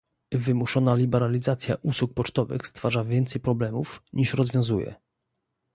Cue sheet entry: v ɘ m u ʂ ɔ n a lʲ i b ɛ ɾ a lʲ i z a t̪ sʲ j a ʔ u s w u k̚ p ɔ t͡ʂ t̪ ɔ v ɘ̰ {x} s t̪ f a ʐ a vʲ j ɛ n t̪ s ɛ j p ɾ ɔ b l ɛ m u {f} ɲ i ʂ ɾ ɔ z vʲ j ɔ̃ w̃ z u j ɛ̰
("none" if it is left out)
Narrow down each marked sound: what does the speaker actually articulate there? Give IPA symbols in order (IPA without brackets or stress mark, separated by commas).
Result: x, f